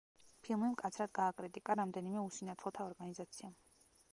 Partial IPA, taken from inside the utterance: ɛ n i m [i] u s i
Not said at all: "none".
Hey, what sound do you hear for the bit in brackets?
ɛ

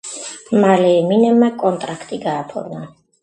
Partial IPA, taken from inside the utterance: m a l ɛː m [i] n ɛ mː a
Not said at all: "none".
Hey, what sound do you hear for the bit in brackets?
i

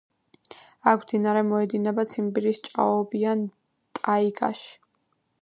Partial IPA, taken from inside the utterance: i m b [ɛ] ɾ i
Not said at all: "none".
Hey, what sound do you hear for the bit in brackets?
i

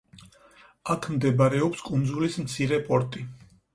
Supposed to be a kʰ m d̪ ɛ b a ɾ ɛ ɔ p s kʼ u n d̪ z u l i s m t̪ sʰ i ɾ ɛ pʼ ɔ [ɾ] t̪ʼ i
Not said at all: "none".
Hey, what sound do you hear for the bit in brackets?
ɾ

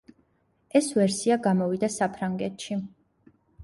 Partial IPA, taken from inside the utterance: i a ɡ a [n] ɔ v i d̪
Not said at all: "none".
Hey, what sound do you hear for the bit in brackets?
m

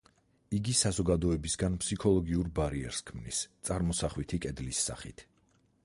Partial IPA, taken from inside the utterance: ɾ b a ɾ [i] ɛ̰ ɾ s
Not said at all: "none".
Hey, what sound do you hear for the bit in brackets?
i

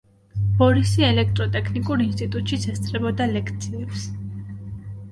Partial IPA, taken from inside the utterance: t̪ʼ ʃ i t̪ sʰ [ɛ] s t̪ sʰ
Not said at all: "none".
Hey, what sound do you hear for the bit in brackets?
ɛ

